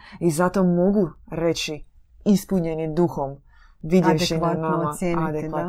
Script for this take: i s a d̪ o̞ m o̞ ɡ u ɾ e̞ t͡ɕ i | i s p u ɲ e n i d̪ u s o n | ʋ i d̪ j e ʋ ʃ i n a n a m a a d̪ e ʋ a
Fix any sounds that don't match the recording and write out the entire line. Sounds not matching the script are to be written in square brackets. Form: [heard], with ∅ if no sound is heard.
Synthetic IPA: i [z] a [t̪] o̞ m o̞ ɡ u ɾ e̞ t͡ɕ i | i s p u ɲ e n i d̪ u [x] o [m] | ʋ i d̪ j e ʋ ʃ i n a n a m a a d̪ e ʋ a